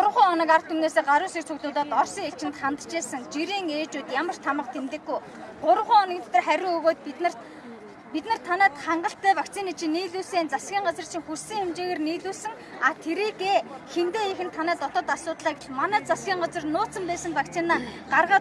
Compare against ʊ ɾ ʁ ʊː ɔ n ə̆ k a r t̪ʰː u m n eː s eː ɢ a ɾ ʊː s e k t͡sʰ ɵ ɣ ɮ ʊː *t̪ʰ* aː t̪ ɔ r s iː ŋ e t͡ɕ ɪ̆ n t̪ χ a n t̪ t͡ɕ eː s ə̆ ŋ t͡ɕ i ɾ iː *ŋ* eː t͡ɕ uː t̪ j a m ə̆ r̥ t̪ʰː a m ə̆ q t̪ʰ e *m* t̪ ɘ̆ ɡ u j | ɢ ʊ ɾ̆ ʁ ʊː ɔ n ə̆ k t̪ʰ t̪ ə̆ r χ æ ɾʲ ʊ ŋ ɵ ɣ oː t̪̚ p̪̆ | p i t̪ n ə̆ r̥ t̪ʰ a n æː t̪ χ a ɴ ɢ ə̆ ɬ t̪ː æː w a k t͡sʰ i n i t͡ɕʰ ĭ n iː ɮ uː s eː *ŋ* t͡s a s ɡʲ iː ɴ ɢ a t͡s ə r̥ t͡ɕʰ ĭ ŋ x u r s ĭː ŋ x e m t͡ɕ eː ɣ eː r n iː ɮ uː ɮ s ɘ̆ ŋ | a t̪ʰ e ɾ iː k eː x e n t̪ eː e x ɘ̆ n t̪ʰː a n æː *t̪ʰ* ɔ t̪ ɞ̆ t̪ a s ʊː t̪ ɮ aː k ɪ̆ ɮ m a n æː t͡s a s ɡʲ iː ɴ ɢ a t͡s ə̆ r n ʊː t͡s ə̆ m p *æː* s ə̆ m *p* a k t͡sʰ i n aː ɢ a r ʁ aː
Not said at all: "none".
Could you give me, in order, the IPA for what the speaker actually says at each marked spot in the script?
t̪, ŋ, m, n, t̪, æː, p

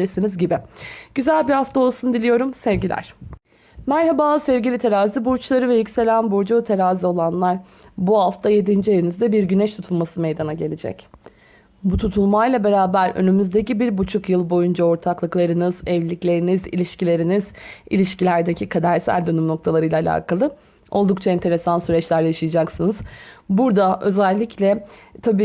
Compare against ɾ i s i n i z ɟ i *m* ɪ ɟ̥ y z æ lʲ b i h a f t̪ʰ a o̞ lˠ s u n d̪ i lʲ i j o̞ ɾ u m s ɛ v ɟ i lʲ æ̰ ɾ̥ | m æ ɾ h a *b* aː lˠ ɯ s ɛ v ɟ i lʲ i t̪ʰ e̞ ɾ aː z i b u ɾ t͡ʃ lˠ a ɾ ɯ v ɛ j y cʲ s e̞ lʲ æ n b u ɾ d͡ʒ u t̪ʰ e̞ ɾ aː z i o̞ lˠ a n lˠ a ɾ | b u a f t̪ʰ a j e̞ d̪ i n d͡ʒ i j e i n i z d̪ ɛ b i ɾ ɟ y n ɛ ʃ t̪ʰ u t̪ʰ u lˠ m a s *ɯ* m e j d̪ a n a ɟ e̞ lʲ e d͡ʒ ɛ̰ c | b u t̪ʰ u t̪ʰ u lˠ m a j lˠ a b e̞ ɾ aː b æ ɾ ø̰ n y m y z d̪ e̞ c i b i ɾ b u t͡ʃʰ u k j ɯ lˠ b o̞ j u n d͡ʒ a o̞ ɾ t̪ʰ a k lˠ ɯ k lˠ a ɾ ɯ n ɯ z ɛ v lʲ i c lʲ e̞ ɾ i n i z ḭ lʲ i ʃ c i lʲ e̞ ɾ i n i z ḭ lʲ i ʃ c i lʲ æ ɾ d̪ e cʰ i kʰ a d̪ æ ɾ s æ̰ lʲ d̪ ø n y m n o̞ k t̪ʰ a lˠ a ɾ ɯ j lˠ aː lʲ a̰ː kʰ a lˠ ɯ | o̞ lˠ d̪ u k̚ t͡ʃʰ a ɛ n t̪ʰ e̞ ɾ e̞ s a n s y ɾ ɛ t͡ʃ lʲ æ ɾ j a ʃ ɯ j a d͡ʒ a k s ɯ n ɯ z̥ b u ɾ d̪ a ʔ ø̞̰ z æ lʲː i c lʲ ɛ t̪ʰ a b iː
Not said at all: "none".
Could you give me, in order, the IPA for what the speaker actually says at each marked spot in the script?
b, b, ɯ

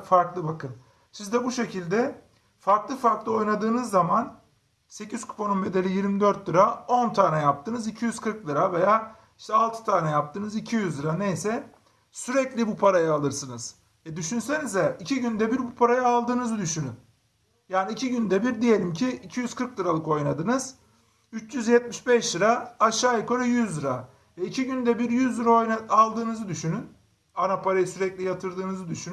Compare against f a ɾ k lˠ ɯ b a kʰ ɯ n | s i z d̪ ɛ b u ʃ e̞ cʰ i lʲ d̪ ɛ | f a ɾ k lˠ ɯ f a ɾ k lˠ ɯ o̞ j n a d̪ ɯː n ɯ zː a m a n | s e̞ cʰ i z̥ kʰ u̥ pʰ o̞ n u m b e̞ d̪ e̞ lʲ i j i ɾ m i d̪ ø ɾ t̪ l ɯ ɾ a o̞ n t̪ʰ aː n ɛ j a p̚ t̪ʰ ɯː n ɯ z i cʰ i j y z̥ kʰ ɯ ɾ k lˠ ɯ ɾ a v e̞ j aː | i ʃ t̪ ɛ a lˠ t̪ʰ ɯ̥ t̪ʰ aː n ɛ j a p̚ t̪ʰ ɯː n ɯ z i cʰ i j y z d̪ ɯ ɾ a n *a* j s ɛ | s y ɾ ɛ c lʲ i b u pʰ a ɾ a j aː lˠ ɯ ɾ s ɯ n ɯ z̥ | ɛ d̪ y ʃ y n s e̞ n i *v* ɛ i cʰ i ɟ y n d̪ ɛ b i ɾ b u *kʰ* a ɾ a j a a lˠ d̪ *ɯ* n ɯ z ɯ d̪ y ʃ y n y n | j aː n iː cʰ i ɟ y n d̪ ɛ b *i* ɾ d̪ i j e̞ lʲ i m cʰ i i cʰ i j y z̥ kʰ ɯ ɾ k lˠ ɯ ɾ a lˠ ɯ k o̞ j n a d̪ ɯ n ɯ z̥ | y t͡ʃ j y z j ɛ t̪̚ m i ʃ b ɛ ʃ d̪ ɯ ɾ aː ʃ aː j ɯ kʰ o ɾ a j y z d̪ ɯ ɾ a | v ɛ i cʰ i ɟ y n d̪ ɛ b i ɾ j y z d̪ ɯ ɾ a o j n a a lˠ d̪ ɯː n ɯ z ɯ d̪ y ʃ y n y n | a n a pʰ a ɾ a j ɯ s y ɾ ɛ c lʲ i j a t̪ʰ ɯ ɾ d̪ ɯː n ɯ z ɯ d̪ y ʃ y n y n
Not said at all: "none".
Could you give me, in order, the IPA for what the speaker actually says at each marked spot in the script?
e, z, pʰ, ɯː, i

